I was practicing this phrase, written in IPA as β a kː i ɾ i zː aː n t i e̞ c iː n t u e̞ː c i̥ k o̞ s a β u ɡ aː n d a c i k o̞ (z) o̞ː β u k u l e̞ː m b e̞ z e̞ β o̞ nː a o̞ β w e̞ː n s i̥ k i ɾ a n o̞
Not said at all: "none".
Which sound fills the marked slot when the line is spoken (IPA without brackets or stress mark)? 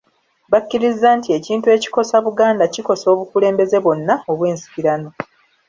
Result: s